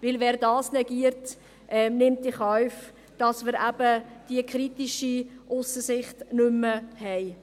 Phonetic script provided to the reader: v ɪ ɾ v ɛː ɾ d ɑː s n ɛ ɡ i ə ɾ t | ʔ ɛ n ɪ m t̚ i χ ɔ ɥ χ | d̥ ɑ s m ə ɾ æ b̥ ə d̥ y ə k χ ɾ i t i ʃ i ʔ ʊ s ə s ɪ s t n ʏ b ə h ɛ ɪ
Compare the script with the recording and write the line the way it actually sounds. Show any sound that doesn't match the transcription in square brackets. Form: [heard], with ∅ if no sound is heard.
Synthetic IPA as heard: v ɪ [l] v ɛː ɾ d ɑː s n ɛ ɡ i ə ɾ t | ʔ ɛ n ɪ m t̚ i χ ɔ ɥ [f] | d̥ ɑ s m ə ɾ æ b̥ ə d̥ [i] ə k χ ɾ i t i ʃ i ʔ ʊ s ə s ɪ [χ] t n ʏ [m] ə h ɛ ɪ

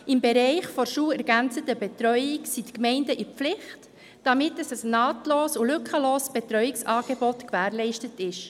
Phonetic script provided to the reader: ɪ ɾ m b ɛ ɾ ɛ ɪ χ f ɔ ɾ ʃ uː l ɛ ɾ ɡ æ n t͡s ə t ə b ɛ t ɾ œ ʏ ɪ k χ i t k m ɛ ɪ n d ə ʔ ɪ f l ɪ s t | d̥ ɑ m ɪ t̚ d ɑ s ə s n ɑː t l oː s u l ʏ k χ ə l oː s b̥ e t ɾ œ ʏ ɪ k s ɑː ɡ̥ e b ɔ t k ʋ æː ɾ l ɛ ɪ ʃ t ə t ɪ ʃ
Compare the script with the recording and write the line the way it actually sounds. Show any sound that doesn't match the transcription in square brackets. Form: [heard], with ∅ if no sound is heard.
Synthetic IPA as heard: ɪ [∅] m b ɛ ɾ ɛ ɪ χ f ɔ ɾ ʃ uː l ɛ ɾ ɡ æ n t͡s ə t ə b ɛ t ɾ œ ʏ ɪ k [s] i t k m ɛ ɪ n d ə ʔ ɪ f l ɪ [χ] t | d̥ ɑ m ɪ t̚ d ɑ s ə s n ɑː t l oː s u l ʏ k χ ə l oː s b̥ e t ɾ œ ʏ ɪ k s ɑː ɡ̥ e b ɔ t k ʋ æː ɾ l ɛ ɪ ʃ t ə t ɪ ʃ

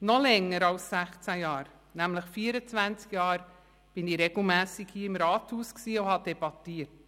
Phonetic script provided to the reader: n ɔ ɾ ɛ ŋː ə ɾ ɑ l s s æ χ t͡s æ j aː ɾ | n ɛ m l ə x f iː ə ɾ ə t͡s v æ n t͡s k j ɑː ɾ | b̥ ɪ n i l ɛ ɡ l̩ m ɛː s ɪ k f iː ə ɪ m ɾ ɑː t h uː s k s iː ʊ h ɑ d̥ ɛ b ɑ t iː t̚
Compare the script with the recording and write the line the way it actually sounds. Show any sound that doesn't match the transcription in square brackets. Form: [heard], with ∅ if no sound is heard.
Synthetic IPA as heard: n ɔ [l] ɛ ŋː ə ɾ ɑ l s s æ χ t͡s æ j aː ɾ | n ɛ m l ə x f iː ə ɾ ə t͡s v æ n t͡s k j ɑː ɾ | b̥ ɪ n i [ɾ] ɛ ɡ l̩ m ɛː s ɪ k [h] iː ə ɪ m ɾ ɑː t h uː s k s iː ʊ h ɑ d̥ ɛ b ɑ t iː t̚

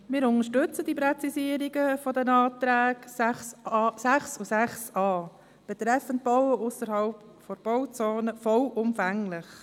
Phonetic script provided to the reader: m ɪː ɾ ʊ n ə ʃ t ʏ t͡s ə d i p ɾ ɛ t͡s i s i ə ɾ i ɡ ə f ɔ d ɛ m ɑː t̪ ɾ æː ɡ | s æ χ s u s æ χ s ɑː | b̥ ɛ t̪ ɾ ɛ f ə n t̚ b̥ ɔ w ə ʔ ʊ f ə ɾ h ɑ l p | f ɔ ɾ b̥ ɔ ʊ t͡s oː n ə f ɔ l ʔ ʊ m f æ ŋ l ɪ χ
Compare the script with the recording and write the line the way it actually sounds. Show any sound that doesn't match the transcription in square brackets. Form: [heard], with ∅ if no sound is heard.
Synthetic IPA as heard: m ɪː ɾ ʊ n ə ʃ t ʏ t͡s ə d i p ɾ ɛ t͡s i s i ə ɾ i ɡ ə f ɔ d ɛ [n] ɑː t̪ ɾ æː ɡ | s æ χ s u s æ χ s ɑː | b̥ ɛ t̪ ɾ ɛ f ə n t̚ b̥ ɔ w ə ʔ ʊ [s] ə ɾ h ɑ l p | f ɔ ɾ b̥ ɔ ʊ t͡s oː n ə f ɔ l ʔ ʊ m f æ ŋ l ɪ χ

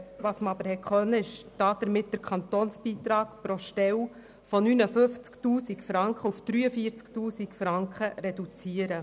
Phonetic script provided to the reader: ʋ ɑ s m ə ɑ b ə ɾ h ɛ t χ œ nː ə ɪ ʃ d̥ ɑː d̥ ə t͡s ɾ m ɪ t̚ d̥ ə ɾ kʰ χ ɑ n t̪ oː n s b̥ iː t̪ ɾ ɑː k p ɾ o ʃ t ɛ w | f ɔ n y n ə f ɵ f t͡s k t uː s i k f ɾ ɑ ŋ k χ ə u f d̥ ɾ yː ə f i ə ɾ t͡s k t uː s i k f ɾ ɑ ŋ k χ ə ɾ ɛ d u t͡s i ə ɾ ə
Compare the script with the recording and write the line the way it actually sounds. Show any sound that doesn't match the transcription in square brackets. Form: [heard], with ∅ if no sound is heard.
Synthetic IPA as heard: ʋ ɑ s m ə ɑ b ə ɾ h ɛ [k] χ œ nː ə ɪ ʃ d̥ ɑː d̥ ə [∅] ɾ m ɪ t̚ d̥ ə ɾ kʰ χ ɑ n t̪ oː n s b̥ iː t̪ ɾ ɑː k p ɾ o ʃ t ɛ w | f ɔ n y n ə f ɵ f t͡s k t uː s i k f ɾ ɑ ŋ k χ ə u f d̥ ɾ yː ə f i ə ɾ t͡s k t uː s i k f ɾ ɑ ŋ k χ ə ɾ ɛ d u t͡s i ə ɾ ə

